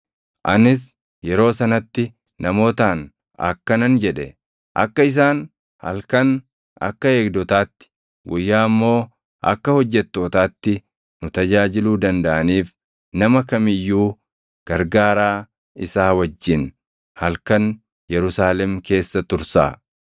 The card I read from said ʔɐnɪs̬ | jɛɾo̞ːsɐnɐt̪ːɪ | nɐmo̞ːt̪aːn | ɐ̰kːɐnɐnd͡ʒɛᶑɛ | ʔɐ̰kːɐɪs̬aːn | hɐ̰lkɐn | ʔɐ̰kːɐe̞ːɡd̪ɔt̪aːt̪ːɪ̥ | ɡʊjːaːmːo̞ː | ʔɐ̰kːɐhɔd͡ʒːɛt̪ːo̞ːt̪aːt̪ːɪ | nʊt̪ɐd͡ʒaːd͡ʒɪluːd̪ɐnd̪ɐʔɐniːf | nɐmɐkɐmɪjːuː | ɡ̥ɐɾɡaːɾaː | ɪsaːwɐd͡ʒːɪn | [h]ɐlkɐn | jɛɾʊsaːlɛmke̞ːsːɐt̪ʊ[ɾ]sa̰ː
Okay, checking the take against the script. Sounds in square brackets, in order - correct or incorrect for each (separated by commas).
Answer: correct, correct